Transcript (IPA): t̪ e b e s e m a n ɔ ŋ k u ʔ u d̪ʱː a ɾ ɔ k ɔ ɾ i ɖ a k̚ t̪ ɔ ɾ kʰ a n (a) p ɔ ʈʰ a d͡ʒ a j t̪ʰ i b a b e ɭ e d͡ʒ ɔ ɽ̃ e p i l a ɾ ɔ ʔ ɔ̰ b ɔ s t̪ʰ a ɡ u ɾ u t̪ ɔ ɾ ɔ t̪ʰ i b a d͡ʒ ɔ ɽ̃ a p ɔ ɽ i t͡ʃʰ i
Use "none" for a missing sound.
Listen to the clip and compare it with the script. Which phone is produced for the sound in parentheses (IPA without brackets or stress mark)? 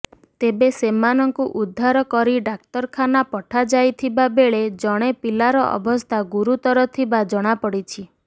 a